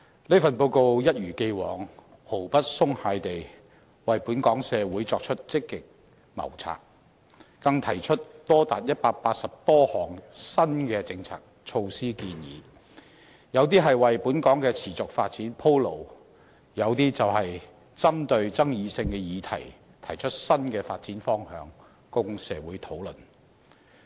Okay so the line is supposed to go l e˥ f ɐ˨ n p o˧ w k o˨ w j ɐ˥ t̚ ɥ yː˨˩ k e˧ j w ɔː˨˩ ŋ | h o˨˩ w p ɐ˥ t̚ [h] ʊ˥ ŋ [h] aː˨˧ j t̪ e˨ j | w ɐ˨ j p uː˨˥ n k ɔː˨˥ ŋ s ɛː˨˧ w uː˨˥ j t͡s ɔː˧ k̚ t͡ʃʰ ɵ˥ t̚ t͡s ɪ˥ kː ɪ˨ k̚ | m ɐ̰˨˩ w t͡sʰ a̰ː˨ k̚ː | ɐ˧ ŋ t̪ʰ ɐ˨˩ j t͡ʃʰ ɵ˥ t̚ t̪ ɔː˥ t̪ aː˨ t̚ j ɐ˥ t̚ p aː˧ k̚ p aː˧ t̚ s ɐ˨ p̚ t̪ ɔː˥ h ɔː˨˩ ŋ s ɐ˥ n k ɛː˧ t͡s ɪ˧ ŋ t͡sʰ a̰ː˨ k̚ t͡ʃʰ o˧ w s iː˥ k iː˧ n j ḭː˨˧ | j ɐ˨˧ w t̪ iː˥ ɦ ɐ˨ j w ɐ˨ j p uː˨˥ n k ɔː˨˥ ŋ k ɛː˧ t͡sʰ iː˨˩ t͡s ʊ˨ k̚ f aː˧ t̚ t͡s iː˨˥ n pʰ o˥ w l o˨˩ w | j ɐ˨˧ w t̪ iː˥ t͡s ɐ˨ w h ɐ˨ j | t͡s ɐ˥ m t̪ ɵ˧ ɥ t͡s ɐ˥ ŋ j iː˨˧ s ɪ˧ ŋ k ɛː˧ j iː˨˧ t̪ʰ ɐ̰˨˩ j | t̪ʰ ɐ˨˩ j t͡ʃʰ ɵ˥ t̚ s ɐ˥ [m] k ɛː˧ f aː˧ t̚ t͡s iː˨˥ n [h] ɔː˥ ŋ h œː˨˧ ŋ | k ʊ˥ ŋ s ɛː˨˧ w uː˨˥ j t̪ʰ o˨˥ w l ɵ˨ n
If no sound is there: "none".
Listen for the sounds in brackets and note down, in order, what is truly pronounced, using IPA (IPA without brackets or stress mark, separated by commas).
s, h, n, f